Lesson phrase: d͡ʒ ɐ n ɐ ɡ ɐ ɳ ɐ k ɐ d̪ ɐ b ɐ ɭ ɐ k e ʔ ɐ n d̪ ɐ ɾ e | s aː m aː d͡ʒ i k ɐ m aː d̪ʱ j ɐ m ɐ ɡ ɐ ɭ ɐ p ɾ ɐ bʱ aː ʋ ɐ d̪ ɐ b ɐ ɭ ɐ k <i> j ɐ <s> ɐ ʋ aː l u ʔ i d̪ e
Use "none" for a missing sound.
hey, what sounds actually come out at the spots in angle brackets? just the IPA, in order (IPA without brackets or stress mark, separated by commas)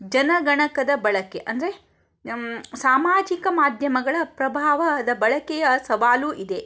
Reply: ɛ, s